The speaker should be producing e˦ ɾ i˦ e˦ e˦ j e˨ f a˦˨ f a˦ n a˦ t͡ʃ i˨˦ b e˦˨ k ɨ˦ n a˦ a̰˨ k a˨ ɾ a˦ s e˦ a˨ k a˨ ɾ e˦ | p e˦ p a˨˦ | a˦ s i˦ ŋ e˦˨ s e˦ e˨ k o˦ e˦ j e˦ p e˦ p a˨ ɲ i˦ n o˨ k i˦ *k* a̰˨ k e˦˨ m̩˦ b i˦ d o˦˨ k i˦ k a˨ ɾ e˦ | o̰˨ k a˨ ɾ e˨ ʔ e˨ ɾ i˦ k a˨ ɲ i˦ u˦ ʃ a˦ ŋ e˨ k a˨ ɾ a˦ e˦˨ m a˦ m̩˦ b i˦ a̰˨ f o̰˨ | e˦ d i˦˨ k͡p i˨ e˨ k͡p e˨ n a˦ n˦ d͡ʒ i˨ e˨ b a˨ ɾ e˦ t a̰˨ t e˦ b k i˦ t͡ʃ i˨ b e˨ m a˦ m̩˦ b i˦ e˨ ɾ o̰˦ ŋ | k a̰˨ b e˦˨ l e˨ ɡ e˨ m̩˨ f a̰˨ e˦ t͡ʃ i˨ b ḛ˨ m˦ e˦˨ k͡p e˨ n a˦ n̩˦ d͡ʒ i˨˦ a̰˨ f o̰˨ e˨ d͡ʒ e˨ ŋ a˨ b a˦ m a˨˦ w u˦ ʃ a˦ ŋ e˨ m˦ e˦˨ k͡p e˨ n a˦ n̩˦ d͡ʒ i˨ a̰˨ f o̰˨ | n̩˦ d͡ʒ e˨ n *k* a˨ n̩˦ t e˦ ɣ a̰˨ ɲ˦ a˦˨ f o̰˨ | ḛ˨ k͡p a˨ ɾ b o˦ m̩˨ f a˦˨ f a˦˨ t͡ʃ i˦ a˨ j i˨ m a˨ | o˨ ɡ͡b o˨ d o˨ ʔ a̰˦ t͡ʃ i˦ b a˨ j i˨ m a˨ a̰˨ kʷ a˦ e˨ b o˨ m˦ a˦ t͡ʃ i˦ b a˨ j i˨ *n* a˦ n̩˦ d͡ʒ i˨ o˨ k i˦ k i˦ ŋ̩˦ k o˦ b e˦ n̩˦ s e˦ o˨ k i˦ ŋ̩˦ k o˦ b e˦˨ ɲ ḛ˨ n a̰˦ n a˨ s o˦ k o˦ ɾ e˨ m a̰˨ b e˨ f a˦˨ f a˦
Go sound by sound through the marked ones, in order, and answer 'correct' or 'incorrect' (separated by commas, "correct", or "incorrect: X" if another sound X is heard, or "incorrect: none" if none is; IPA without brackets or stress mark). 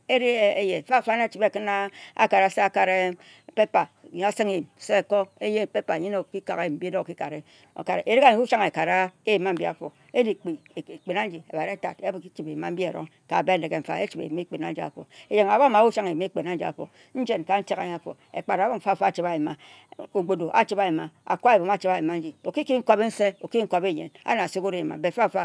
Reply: correct, correct, incorrect: m